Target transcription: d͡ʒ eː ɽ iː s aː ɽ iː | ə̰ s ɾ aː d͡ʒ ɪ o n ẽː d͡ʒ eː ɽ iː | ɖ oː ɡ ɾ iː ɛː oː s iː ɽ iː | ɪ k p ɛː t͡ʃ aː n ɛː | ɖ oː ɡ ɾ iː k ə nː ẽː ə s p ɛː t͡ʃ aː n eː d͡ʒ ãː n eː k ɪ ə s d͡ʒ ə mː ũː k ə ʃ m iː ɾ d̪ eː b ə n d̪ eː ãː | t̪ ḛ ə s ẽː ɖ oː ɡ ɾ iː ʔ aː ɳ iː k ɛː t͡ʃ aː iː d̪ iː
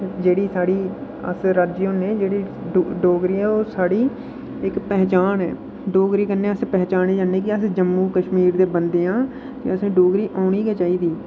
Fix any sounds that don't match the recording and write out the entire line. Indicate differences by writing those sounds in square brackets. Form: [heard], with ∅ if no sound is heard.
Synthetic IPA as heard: d͡ʒ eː ɽ iː s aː ɽ iː | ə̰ s ɾ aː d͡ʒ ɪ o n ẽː d͡ʒ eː ɽ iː | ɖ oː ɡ ɾ iː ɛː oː s [aː] ɽ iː | ɪ k p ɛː t͡ʃ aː n ɛː | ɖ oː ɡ ɾ iː k ə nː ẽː ə s p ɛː t͡ʃ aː n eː d͡ʒ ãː n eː k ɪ ə s d͡ʒ ə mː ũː k ə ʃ m iː ɾ d̪ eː b ə n d̪ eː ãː | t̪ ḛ ə s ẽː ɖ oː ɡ ɾ iː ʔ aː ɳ iː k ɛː t͡ʃ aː iː d̪ iː